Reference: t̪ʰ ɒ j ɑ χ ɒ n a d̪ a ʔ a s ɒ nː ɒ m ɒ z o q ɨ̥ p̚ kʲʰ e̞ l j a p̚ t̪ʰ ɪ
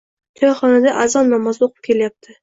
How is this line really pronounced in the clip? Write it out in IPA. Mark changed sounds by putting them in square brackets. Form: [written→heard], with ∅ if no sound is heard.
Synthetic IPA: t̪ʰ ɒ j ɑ χ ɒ n a d̪ a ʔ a [s→z] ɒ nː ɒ m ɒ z o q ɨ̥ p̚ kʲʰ e̞ l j a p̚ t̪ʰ ɪ